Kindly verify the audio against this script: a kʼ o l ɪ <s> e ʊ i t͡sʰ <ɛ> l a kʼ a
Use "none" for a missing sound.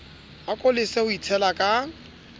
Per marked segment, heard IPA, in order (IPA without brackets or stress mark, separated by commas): s, ɛ